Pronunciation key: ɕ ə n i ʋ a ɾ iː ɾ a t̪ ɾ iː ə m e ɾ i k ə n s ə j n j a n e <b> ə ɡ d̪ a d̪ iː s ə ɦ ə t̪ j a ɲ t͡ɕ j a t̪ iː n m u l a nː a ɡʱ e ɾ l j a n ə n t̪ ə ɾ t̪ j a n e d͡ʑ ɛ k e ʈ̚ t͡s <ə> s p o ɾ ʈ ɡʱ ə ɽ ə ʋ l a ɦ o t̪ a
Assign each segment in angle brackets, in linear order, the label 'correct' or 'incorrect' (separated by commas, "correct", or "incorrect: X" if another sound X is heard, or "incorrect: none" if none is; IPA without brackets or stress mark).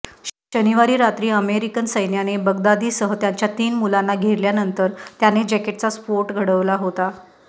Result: correct, incorrect: a